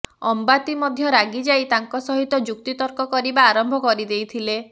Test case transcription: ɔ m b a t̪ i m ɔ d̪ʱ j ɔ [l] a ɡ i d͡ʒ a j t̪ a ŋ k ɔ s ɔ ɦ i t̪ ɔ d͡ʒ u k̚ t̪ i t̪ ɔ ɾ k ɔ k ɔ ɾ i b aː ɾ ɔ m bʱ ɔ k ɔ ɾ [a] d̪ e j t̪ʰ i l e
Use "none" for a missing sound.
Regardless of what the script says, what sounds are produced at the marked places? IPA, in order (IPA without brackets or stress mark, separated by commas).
ɾ, i